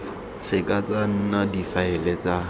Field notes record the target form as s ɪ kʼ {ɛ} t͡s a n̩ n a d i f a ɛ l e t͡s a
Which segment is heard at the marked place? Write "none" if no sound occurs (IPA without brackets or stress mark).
a